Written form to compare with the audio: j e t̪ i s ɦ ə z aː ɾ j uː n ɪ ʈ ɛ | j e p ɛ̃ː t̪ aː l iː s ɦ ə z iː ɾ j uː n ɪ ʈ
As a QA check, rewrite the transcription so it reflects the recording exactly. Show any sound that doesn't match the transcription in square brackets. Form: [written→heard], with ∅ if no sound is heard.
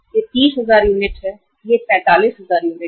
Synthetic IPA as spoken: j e t̪ [i→iː] s ɦ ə z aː ɾ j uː n ɪ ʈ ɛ | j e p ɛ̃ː t̪ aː l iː s ɦ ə z [iː→aː] ɾ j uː n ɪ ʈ